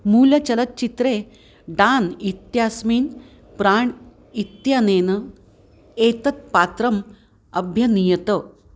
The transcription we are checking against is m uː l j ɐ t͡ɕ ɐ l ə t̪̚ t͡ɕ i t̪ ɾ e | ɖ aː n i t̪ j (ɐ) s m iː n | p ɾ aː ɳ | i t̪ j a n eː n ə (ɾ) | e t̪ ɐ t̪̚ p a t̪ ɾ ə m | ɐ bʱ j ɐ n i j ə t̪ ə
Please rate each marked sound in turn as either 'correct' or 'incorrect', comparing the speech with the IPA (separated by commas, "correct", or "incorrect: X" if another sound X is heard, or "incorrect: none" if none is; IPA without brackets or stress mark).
incorrect: a, incorrect: none